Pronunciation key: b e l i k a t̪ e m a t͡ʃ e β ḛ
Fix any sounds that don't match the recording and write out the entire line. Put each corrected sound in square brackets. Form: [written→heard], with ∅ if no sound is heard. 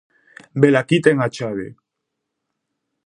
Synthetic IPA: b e l [i→a] k [a→i] t̪ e [m→ŋ] a t͡ʃ [e→a] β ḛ